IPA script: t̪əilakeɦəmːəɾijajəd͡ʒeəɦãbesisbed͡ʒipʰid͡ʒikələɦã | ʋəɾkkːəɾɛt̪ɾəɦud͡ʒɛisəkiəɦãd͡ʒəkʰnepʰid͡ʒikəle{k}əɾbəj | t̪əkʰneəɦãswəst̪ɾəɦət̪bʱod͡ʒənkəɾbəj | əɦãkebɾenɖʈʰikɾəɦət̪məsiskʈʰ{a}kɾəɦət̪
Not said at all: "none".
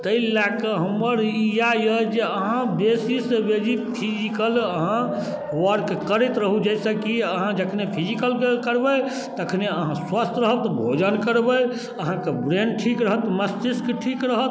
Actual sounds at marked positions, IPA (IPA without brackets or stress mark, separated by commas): k, i